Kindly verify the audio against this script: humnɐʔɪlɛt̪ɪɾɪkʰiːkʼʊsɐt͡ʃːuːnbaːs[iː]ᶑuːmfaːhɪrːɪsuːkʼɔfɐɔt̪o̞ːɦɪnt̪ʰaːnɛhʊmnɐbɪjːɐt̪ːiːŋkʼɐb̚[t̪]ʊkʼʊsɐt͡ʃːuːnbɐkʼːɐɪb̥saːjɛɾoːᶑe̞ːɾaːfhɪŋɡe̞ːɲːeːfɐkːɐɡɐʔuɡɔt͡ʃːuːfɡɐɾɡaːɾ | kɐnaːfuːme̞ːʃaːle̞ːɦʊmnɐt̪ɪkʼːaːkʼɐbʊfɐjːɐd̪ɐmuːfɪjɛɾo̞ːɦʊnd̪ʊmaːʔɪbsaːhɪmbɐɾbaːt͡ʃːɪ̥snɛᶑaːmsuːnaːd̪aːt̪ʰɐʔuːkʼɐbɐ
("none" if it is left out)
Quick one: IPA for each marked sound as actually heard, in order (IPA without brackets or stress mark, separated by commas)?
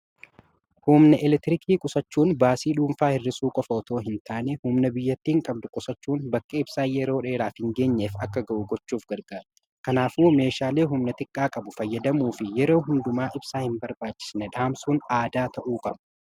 iː, d̪